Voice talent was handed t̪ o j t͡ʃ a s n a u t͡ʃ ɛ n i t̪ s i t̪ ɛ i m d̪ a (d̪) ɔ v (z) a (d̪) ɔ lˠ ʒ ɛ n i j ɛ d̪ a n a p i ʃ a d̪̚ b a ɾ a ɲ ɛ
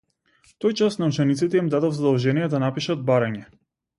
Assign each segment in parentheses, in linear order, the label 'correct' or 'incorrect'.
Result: correct, correct, correct

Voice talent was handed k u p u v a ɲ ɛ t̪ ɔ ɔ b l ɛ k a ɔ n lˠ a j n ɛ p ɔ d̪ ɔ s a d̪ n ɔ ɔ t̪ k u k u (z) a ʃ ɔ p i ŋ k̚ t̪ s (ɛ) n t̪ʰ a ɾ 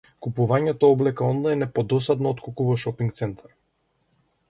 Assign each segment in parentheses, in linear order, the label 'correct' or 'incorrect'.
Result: incorrect: v, correct

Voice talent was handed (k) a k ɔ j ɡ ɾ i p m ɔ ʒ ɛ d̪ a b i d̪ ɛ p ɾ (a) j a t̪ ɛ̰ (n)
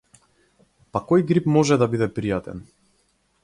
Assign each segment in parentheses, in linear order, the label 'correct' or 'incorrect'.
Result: incorrect: p, incorrect: i, correct

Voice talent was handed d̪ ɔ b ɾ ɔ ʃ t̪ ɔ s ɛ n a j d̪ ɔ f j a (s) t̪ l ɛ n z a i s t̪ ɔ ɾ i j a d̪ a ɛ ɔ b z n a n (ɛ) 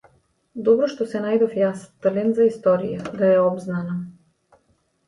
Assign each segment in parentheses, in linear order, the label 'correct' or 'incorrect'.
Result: correct, incorrect: a

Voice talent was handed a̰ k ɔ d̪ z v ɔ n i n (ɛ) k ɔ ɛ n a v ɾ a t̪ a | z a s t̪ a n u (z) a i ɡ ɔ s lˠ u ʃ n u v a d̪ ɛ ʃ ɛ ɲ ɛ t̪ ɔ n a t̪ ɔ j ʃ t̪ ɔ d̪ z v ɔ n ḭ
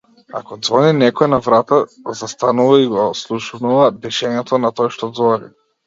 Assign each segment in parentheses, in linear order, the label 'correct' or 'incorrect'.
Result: correct, incorrect: v

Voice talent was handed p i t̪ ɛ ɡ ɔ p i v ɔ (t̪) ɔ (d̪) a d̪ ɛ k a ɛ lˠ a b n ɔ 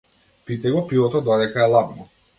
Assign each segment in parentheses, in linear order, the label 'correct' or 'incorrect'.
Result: correct, correct

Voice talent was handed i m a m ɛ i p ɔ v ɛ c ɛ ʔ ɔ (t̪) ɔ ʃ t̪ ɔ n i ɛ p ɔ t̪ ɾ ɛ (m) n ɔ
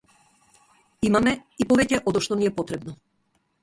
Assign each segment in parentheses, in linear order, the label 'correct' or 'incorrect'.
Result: incorrect: d̪, incorrect: b

